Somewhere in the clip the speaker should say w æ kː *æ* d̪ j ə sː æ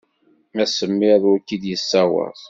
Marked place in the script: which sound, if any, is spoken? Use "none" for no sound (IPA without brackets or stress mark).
i